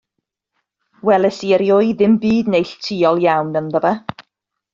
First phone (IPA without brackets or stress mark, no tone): w